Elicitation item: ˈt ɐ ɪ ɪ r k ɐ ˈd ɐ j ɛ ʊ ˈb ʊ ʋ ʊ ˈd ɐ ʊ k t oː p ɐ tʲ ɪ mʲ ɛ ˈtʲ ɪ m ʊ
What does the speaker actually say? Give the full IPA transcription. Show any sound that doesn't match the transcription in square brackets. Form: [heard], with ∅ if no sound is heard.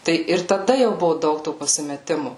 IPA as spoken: ˈt ɐ ɪ ɪ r [t] ɐ ˈd ɐ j ɛ ʊ ˈb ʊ ʋ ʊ ˈd ɐ ʊ k t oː p ɐ [sʲ] ɪ mʲ ɛ ˈtʲ ɪ m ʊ

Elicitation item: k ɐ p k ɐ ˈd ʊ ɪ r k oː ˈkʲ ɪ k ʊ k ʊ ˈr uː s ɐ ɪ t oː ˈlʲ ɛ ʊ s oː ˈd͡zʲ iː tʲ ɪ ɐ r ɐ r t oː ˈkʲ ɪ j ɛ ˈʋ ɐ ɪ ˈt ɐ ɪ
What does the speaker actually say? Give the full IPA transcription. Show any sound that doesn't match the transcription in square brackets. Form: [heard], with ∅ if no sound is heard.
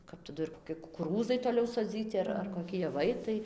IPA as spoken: k ɐ p [t] ɐ ˈd ʊ ɪ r k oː ˈkʲ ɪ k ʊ k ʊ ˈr uː [z] ɐ ɪ t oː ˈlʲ ɛ ʊ s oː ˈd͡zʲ iː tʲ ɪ ɐ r ɐ r [k] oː ˈkʲ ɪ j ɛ ˈʋ ɐ ɪ ˈt ɐ ɪ

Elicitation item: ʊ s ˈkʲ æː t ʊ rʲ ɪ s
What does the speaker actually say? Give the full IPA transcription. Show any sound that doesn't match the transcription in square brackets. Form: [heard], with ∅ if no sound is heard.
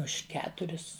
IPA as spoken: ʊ [ʃ] ˈkʲ æː t ʊ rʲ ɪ s

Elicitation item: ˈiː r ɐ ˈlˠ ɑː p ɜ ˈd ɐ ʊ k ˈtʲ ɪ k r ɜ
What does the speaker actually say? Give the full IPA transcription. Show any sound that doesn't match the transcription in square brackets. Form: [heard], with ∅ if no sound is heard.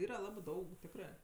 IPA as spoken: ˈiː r ɐ ˈlˠ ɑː [b] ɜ ˈd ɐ ʊ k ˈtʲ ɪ k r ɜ

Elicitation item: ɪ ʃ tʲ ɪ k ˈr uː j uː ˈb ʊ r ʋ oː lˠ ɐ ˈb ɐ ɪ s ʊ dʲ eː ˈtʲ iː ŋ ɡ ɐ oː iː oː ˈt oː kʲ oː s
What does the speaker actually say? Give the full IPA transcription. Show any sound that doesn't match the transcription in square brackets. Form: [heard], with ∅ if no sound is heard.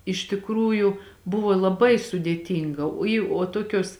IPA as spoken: ɪ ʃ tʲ ɪ k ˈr uː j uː ˈb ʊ [∅] ʋ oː lˠ ɐ ˈb ɐ ɪ s ʊ dʲ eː ˈtʲ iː ŋ ɡ ɐ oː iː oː ˈt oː kʲ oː s

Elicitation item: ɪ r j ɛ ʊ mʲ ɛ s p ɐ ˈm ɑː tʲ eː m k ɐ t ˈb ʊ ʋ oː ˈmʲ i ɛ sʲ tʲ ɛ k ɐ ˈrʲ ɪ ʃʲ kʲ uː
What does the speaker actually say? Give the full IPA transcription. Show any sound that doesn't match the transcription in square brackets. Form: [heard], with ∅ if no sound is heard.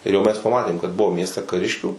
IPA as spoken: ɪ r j ɛ ʊ mʲ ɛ s p ɐ ˈm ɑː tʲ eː m k ɐ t ˈb ʊ ʋ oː ˈmʲ i ɛ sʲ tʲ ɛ k ɐ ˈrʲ ɪ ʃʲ kʲ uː

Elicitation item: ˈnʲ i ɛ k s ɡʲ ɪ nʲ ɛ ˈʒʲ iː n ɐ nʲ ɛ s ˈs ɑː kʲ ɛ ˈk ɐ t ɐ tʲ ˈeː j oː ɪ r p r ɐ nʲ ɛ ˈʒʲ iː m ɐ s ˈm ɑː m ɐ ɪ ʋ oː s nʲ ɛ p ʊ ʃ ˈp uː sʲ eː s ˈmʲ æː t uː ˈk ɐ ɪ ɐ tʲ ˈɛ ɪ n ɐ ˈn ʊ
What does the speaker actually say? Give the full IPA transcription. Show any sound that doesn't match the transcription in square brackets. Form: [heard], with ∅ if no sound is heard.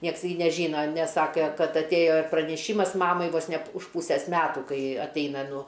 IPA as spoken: ˈnʲ i ɛ k s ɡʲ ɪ nʲ ɛ ˈʒʲ iː n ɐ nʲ ɛ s ˈs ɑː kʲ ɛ ˈk ɐ t ɐ tʲ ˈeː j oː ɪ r p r ɐ nʲ ɛ [ˈʃʲ] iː m ɐ s ˈm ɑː m ɐ ɪ ʋ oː s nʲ ɛ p ʊ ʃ ˈp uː sʲ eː s ˈmʲ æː t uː ˈk ɐ ɪ ɐ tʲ ˈɛ ɪ n ɐ ˈn ʊ

